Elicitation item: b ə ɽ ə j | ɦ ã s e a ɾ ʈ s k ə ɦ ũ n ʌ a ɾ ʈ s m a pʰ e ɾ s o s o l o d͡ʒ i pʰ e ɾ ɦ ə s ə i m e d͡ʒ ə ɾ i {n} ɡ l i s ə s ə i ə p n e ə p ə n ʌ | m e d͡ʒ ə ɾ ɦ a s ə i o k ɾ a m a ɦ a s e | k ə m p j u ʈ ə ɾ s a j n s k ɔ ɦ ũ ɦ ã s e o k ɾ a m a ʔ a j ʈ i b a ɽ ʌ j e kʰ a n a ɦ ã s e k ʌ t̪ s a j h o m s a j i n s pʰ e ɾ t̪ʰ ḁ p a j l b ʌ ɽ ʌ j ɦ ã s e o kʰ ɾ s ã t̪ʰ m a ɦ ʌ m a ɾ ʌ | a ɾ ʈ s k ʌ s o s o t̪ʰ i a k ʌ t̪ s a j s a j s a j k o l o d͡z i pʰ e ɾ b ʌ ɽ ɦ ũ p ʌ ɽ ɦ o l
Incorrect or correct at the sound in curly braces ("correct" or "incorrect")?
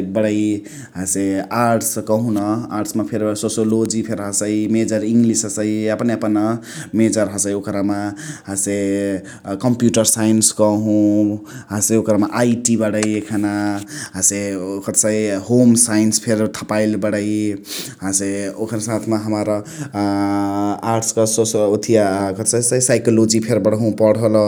incorrect